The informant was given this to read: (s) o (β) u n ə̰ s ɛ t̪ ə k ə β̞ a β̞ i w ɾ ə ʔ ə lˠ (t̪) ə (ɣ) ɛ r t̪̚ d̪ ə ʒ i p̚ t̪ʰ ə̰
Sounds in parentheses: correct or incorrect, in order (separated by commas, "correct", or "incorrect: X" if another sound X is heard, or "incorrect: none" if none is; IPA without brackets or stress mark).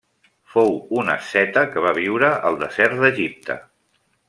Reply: incorrect: f, incorrect: w, incorrect: d̪, incorrect: z